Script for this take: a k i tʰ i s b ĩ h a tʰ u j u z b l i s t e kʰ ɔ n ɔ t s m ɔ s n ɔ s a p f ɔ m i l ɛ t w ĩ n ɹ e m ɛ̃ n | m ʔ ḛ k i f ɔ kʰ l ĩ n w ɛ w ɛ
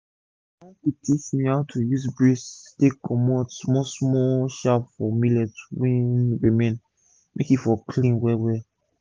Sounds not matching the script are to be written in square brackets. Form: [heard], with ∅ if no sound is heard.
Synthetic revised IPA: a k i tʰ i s [m] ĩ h a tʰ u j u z b [ɹ] i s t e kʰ ɔ [m] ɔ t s m ɔ s [m] ɔ [ʃ] a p f ɔ m i l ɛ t w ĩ n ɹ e m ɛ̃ n | m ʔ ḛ k i f ɔ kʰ l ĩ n w ɛ w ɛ